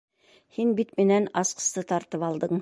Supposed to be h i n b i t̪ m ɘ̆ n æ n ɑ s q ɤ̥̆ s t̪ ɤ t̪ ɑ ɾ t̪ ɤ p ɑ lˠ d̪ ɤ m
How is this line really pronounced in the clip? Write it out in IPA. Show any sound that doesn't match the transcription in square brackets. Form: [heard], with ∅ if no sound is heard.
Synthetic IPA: h i n b i t̪ m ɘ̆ n æ n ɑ s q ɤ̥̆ s t̪ ɤ t̪ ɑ ɾ t̪ ɤ p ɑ lˠ d̪ ɤ [ɴ]